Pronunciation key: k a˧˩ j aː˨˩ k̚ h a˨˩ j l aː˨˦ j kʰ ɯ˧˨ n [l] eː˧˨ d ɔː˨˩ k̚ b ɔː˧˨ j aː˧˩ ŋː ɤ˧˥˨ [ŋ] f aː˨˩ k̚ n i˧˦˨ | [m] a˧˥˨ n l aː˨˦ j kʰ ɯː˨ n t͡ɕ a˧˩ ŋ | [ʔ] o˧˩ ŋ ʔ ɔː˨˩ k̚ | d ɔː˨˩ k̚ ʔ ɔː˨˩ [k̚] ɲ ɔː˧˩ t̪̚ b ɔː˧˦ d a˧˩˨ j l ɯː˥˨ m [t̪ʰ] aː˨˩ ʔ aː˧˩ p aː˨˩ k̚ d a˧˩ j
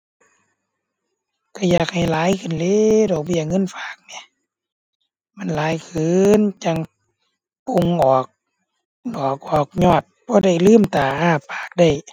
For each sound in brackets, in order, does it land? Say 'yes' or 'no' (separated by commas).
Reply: yes, no, yes, no, yes, no